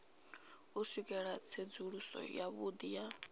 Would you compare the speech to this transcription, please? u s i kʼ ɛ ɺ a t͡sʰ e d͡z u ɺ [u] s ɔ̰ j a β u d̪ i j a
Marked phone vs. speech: correct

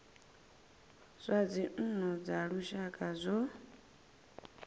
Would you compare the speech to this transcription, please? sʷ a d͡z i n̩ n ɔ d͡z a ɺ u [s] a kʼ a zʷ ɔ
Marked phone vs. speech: incorrect: ʃ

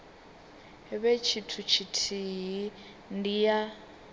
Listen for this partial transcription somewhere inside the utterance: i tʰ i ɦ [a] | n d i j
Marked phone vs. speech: incorrect: i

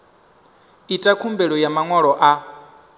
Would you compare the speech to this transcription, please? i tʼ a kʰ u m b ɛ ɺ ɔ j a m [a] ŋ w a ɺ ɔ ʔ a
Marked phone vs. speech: correct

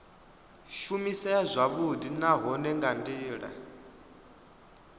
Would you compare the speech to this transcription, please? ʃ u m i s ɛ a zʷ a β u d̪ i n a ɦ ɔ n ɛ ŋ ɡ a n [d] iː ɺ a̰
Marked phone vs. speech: correct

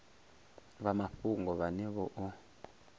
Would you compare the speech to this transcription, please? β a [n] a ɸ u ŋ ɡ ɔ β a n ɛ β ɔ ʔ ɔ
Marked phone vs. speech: incorrect: m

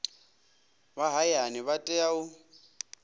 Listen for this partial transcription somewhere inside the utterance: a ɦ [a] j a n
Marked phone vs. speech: correct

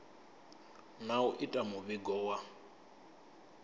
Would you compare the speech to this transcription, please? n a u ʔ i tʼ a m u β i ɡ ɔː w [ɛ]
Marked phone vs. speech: incorrect: a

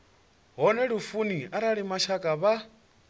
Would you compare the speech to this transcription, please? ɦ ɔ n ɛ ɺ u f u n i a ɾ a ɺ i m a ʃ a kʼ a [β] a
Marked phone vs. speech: correct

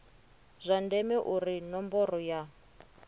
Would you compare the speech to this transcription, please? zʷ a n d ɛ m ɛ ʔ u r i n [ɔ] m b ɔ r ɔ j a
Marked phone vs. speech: correct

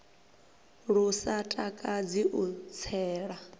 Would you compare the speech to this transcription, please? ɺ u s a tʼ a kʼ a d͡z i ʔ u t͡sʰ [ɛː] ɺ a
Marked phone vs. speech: correct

